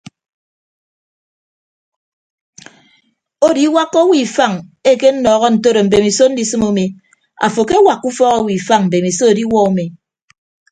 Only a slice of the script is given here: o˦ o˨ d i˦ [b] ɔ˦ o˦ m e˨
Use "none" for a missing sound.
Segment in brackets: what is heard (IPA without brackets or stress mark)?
w